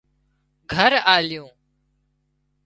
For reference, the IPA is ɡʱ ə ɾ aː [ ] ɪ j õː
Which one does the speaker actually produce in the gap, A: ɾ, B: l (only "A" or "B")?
B